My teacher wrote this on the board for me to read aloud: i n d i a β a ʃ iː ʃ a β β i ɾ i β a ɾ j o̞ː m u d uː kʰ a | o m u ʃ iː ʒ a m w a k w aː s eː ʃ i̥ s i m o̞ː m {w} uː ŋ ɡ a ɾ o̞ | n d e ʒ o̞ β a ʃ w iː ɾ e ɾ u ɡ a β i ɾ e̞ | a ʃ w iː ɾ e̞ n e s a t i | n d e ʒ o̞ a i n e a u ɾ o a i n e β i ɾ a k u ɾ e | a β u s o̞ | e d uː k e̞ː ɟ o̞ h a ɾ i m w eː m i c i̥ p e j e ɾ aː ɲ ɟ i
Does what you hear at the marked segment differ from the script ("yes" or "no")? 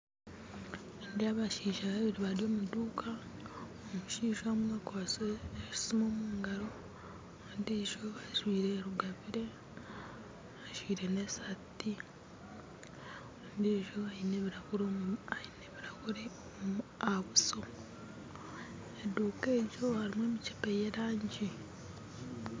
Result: yes